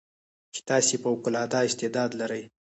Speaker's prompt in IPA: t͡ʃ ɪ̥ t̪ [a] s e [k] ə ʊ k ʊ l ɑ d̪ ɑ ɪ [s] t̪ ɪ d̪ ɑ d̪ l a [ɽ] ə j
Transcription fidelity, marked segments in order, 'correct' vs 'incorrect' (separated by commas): incorrect, incorrect, correct, incorrect